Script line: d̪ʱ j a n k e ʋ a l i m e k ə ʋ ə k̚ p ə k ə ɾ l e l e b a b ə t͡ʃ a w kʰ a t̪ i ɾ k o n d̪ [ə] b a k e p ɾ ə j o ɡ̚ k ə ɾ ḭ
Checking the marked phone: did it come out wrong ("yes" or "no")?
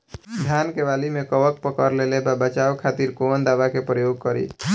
yes